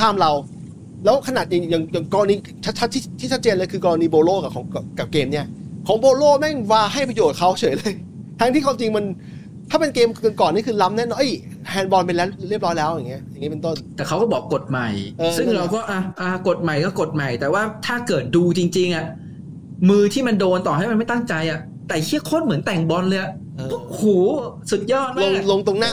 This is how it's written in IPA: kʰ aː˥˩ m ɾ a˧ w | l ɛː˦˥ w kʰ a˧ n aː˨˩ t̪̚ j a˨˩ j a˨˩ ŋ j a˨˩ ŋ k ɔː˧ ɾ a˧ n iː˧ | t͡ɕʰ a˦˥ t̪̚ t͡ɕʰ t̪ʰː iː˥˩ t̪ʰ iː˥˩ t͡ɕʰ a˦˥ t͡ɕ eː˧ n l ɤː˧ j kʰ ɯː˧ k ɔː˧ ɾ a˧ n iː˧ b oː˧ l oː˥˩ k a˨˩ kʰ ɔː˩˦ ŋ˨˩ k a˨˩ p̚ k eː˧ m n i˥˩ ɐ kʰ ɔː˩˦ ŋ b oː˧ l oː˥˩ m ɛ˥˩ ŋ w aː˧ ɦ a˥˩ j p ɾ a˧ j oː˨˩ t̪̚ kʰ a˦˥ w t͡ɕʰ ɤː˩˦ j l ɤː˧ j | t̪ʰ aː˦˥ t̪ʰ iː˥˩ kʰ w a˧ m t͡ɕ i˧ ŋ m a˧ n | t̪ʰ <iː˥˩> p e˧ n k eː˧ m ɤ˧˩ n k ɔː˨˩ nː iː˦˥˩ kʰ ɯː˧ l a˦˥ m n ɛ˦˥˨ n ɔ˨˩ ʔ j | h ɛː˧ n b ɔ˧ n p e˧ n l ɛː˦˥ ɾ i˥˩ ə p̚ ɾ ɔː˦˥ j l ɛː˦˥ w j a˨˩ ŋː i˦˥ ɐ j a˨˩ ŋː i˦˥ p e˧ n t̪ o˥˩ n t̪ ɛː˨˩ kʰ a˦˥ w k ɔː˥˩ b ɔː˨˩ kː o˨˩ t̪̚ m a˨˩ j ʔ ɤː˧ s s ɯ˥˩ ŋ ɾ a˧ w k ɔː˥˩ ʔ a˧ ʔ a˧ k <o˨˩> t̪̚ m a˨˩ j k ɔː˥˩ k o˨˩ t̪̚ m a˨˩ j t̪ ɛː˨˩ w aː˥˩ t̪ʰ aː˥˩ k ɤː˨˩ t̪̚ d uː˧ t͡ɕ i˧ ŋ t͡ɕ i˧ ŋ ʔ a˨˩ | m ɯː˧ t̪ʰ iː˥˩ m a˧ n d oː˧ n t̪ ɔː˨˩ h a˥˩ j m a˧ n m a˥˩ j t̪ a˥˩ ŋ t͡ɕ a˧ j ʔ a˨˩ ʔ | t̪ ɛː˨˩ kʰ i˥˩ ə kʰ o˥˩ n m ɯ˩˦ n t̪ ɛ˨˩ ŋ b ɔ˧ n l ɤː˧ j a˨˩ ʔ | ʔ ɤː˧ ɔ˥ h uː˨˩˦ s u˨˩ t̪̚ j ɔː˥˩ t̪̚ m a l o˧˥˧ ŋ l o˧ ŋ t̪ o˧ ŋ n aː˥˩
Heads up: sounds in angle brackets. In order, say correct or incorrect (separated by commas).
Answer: incorrect, correct